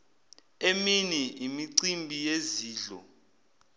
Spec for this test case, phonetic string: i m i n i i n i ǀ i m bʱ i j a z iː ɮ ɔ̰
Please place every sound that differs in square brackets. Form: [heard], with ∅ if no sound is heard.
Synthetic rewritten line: [e] m i n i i [m] i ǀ i m bʱ i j [e] z iː ɮ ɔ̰